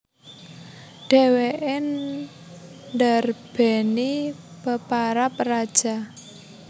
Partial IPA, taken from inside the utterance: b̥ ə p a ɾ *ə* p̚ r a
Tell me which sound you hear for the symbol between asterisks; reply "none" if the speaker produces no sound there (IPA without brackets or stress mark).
a